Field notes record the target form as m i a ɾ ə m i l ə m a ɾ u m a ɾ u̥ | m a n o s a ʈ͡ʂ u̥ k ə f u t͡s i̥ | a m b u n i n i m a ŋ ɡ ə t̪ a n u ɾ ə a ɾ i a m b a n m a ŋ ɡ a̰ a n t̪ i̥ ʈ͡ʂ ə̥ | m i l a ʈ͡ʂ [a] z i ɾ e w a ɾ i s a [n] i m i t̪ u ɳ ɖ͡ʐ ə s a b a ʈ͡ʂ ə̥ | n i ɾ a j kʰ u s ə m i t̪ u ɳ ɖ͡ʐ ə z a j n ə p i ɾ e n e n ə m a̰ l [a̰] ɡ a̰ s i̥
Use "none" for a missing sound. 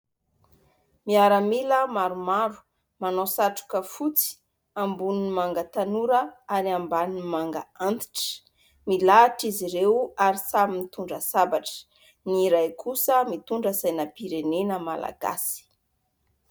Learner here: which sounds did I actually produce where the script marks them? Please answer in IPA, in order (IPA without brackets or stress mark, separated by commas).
i, m, a̰